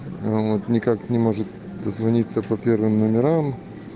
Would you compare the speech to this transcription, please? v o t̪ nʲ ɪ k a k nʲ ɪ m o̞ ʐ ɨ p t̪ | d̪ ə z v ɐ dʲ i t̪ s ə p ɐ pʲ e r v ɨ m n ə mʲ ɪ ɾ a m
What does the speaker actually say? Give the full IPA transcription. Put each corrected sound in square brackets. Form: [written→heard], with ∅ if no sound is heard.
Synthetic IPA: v o t̪ nʲ ɪ k a k nʲ ɪ m o̞ ʐ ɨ [p→∅] t̪ | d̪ ə z v ɐ [dʲ→nʲ] i t̪ s ə p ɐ pʲ e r v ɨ m n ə mʲ ɪ ɾ a m